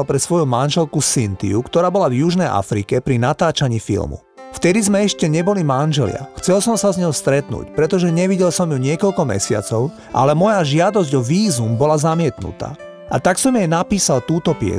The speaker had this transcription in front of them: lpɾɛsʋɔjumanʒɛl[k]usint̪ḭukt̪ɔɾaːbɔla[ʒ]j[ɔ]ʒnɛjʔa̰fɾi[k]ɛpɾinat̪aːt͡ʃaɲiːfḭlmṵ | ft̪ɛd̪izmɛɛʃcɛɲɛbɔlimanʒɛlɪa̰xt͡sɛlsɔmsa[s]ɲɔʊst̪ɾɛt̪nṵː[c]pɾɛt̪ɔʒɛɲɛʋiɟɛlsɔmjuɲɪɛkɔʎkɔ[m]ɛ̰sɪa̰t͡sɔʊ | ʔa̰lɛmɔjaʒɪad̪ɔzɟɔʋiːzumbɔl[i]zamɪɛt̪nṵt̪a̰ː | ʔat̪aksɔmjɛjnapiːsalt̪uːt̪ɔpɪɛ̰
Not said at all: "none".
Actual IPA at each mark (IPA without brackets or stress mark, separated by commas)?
k, v, u, k, z, c, m, a